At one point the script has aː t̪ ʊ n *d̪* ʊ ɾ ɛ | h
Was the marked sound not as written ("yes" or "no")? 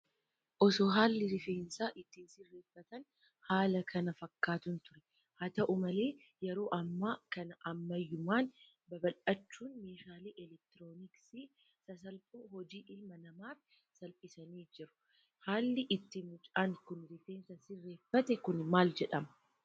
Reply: yes